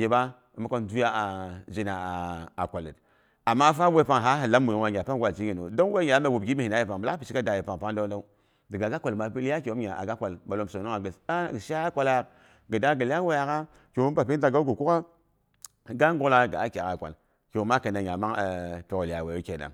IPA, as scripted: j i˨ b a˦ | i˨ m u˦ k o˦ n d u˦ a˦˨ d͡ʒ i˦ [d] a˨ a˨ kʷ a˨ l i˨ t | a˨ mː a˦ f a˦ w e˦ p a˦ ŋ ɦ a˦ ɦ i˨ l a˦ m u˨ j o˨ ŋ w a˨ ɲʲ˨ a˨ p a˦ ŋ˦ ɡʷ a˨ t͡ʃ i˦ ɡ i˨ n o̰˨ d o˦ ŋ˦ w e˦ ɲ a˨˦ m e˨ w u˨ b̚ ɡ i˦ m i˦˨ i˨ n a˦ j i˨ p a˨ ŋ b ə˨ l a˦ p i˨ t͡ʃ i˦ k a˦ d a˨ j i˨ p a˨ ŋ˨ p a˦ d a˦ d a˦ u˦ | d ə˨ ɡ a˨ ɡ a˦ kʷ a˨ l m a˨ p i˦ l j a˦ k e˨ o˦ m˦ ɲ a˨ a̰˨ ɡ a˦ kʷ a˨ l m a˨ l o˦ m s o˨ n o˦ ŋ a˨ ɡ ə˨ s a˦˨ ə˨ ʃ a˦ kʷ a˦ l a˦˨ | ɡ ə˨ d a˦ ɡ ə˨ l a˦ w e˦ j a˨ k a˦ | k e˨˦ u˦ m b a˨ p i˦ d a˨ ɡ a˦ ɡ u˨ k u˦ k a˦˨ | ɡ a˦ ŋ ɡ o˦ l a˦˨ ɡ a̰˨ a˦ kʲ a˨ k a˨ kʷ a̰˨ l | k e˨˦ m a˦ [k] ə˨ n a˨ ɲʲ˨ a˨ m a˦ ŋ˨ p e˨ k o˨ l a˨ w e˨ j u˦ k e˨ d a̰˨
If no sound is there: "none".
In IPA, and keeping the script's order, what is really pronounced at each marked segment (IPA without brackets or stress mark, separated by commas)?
n, k